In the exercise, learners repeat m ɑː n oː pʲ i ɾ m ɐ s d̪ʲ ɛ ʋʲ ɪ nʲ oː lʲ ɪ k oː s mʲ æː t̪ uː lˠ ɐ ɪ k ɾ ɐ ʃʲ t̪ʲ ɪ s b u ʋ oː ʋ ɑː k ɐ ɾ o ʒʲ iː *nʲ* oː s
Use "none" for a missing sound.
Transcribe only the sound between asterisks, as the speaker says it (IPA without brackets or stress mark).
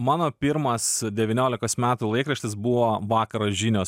nʲ